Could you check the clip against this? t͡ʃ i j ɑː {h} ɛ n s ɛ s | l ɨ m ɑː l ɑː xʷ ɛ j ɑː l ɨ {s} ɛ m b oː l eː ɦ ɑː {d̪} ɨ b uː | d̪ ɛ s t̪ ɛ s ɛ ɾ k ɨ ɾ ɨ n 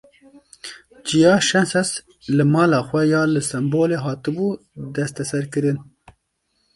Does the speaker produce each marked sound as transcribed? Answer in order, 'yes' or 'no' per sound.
no, yes, no

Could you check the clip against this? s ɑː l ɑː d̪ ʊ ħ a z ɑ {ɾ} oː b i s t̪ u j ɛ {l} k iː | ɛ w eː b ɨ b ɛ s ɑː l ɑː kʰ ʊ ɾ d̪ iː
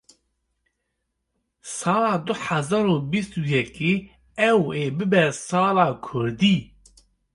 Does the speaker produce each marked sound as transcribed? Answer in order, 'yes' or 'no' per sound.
yes, no

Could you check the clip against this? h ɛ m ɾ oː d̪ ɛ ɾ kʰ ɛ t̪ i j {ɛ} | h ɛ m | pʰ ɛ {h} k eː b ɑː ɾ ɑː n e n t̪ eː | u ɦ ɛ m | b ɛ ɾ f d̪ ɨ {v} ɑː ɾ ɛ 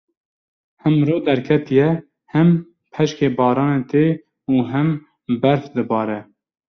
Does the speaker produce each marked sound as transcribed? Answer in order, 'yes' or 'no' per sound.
yes, no, no

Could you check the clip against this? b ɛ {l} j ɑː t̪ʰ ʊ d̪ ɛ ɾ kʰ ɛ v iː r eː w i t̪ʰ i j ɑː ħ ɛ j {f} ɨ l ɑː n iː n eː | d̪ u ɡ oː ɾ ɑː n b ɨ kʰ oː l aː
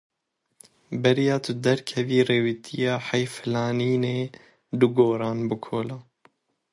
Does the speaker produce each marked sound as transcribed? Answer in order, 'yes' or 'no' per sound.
no, yes

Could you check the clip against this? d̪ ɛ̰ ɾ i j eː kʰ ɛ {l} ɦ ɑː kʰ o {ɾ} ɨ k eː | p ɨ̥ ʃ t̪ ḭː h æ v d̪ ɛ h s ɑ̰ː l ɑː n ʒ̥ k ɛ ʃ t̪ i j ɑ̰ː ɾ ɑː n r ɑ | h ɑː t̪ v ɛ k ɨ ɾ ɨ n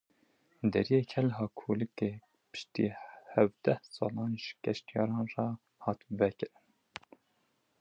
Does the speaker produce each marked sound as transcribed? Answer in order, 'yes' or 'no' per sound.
yes, no

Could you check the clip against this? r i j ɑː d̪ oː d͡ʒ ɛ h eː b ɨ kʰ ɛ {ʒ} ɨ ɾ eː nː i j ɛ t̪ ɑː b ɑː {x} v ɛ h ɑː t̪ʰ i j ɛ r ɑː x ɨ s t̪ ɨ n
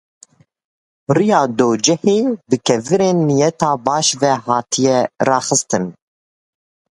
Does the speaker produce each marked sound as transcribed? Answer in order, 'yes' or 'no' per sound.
no, no

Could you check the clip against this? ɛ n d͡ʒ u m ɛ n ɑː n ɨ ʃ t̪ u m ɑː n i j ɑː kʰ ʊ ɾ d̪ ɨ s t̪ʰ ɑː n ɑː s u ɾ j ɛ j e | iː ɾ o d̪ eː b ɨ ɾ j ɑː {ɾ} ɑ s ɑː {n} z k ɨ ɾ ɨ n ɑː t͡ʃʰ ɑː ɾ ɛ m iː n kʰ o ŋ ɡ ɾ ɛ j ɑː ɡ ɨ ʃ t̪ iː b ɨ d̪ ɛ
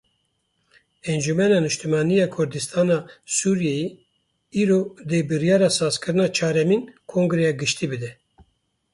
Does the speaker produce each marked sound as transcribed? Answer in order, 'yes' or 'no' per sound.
yes, no

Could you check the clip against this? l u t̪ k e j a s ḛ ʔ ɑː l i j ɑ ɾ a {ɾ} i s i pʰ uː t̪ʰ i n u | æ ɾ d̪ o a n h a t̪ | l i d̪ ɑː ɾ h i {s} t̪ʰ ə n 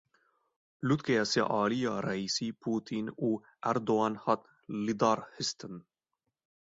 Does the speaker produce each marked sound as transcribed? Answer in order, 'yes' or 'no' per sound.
no, yes

